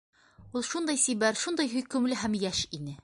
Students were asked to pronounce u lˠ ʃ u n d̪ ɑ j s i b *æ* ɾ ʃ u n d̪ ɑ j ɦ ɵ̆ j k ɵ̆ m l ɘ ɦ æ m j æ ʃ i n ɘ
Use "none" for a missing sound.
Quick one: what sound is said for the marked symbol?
æ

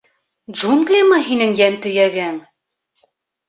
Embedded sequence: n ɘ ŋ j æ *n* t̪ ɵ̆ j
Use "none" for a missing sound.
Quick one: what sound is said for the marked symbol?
n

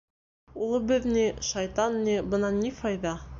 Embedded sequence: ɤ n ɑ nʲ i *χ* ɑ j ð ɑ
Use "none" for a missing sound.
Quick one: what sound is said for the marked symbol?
f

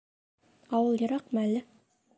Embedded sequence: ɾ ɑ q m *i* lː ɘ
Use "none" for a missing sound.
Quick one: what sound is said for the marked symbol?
æ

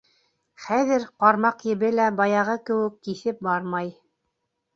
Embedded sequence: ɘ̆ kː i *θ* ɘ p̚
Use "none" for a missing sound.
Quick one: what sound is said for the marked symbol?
θ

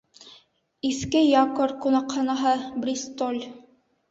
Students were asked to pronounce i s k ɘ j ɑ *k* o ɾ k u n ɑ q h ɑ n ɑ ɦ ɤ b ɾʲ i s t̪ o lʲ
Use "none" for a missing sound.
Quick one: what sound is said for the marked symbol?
k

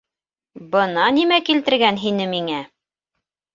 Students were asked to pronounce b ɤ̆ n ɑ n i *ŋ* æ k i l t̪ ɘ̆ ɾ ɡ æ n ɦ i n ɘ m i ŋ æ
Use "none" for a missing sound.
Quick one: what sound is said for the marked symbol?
m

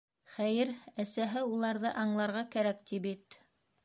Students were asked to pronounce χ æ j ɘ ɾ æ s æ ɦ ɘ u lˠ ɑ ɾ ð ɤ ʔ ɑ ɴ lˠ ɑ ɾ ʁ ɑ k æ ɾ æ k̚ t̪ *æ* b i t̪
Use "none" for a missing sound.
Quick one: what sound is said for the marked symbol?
i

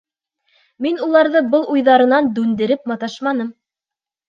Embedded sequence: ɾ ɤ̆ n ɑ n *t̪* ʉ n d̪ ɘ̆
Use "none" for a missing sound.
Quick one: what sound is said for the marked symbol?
d̪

